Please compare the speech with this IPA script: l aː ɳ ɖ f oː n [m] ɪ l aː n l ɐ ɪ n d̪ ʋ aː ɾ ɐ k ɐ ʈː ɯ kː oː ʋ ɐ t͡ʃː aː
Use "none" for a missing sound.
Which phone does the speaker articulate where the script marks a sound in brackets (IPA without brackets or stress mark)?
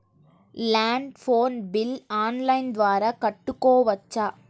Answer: b